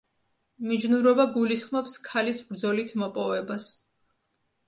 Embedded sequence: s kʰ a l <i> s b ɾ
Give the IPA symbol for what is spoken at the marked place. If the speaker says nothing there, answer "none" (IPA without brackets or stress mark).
i